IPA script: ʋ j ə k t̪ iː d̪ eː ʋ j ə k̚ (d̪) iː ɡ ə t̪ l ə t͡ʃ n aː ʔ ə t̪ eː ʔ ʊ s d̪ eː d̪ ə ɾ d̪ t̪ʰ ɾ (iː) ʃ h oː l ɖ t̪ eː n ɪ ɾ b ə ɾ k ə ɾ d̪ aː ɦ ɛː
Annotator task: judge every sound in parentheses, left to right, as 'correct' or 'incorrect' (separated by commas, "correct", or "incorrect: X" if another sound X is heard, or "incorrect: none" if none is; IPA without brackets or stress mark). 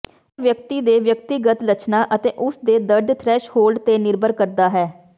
incorrect: t̪, incorrect: ɛː